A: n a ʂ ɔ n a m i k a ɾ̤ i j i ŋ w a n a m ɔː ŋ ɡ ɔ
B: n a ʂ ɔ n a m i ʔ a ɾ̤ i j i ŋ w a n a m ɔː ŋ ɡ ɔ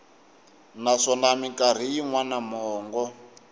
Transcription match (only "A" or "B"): A